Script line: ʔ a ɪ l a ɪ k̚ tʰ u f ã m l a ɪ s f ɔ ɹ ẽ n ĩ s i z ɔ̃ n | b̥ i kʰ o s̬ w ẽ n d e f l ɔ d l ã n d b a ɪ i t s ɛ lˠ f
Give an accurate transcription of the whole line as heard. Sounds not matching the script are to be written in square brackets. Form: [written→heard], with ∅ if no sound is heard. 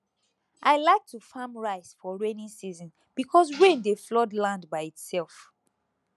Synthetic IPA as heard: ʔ a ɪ l a ɪ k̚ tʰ u f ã m [l→ɹ] a ɪ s f ɔ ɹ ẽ n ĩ s i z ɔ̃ n | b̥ i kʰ [o→ɔ] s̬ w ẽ n d e f l ɔ d l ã n d b a ɪ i t s ɛ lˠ f